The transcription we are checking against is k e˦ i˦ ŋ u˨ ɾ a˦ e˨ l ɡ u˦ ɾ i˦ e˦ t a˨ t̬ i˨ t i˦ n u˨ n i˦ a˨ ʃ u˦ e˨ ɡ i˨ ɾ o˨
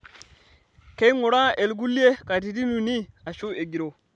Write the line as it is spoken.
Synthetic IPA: k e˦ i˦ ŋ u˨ ɾ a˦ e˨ l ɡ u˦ l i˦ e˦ k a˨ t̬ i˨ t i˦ n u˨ n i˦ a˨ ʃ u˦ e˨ ɡ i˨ ɾ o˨